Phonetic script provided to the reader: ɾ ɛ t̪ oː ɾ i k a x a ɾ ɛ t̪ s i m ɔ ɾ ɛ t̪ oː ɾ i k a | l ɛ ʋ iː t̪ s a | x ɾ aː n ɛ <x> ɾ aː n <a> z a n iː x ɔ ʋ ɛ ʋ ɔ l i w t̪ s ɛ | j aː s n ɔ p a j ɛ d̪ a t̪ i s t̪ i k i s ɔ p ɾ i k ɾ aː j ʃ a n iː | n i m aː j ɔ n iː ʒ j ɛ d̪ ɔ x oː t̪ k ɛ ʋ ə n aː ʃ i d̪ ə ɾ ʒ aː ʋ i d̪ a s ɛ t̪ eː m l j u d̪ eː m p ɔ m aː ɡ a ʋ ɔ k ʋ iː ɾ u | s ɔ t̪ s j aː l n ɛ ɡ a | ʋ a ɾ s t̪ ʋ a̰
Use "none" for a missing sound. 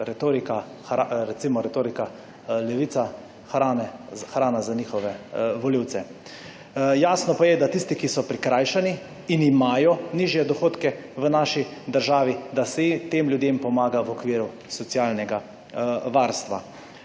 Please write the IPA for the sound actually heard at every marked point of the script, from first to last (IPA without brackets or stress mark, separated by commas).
x, a